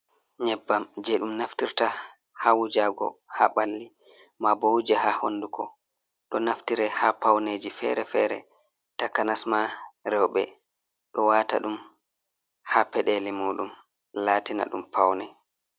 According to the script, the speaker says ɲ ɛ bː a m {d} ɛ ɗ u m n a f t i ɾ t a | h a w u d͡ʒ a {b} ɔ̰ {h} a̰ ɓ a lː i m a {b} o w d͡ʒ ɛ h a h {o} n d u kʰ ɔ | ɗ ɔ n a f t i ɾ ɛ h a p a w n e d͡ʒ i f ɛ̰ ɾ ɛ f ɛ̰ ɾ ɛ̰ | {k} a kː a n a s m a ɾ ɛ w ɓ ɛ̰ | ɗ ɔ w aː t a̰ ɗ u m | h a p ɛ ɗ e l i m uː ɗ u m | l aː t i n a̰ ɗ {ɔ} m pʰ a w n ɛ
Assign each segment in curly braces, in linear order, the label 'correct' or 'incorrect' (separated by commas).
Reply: incorrect, incorrect, correct, correct, correct, incorrect, incorrect